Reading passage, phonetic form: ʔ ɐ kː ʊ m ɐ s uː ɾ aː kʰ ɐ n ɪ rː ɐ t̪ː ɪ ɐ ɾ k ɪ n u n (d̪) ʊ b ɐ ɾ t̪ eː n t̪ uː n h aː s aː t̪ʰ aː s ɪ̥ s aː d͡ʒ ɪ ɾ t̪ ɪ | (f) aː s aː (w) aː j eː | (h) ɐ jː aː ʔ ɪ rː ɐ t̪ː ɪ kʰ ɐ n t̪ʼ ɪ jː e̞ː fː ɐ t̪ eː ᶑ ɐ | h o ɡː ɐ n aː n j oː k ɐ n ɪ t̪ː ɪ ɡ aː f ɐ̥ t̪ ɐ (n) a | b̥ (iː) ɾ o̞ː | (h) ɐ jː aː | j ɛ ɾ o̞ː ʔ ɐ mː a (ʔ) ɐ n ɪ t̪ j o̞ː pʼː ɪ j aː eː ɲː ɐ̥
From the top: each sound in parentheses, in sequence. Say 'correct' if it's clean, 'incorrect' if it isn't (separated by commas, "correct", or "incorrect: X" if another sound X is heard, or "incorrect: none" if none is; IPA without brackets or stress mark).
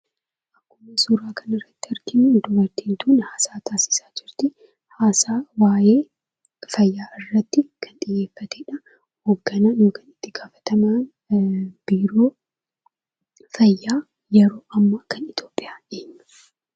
correct, incorrect: h, correct, incorrect: f, incorrect: m, correct, incorrect: f, incorrect: k